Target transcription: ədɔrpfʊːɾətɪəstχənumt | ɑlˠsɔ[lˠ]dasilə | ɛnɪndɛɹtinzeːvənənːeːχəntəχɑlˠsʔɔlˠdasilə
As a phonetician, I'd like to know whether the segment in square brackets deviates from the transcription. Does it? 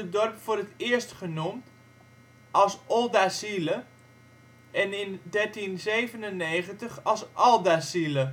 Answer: no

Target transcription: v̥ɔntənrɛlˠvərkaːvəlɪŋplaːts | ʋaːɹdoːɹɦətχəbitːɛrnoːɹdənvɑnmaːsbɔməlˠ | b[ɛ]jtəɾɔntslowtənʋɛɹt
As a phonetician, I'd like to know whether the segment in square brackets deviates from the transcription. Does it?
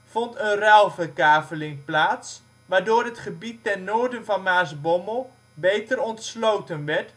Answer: yes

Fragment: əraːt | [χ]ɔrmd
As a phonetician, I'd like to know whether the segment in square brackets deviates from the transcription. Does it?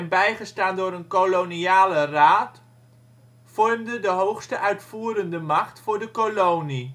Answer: yes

